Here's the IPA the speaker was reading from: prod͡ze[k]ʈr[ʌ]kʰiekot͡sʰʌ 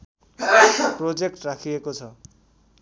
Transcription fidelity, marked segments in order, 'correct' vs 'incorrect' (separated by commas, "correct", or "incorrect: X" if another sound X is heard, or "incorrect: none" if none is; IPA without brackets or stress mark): correct, incorrect: a